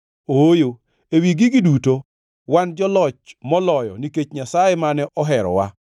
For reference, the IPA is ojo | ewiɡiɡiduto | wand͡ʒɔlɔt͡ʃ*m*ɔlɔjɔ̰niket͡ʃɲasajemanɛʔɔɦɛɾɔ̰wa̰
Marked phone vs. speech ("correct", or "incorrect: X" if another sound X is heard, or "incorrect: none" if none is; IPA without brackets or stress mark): correct